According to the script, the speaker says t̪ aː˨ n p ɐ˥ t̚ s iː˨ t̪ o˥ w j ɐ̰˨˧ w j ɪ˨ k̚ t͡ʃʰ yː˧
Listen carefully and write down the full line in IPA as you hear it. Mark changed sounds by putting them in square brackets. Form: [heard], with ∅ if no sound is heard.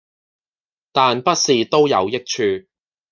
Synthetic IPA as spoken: t̪ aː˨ n p ɐ˥ t̚ s iː˨ t̪ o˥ w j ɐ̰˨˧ w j [ɪ˥] k̚ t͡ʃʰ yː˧